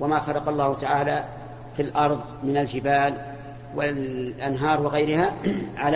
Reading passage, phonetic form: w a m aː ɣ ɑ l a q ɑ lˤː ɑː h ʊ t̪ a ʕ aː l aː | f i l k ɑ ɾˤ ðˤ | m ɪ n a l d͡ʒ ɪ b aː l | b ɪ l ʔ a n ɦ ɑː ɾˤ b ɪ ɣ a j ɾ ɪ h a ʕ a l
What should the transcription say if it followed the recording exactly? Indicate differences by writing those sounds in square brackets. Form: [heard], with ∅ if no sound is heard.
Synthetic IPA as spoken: w a m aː [x] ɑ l [ɑ] q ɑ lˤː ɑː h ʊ t̪ a ʕ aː l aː | f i l [ʔ] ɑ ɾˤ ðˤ | m ɪ n a l d͡ʒ ɪ b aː l | [w] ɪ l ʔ a n ɦ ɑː ɾˤ [w] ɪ ɣ a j ɾ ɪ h a ʕ a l